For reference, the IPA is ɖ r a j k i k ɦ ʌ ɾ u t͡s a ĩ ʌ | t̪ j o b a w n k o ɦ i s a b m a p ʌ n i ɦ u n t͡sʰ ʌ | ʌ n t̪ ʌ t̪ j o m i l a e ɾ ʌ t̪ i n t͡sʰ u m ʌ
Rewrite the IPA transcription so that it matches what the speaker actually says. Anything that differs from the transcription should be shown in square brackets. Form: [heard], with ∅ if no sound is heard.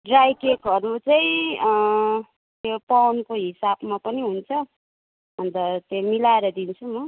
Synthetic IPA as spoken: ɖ r a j k [e] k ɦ ʌ ɾ u t͡s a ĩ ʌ | t̪ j o [p] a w n k o ɦ i s a b m a p ʌ n i ɦ u n t͡sʰ ʌ | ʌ n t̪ ʌ t̪ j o m i l a e ɾ ʌ [d̪] i n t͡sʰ u m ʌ